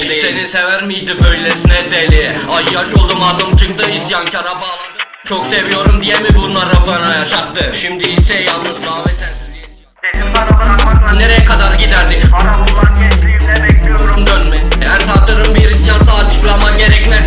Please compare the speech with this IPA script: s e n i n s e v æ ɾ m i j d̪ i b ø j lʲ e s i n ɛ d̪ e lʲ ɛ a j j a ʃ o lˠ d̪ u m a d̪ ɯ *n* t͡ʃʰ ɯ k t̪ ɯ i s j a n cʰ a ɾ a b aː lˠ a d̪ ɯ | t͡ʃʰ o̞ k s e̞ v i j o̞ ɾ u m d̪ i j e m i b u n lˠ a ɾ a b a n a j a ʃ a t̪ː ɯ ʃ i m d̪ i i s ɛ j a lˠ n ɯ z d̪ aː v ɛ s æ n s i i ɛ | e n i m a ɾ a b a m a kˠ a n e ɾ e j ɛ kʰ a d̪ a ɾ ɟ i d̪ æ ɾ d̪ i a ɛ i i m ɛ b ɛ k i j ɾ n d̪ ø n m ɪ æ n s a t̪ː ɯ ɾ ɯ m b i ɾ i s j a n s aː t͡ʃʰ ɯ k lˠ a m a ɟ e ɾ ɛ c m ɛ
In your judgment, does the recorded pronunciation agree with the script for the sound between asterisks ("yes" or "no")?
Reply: no